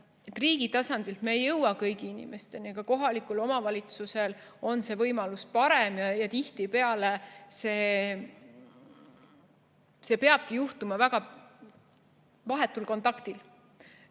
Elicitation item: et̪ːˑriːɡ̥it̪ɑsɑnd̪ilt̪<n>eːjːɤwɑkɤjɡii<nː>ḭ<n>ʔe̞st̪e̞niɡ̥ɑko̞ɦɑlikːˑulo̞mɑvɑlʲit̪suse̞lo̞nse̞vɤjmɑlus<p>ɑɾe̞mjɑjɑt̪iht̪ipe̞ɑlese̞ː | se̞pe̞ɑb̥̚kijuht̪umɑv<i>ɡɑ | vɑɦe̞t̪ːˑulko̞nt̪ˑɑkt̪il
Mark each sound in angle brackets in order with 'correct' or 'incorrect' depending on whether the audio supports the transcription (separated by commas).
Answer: incorrect, incorrect, incorrect, correct, incorrect